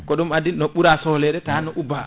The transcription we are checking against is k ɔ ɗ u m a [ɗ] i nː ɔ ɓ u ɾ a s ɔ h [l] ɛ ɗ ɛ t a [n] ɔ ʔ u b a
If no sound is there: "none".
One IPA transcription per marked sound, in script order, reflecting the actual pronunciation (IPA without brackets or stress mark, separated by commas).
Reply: d, l, n